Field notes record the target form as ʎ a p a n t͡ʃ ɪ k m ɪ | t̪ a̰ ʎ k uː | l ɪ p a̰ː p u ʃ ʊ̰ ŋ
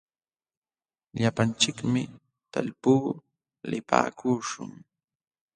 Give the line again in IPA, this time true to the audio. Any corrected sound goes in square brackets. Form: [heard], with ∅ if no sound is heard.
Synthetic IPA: ʎ a p a n t͡ʃ ɪ k m ɪ | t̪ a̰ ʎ [p] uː | l ɪ p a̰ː [k] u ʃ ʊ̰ ŋ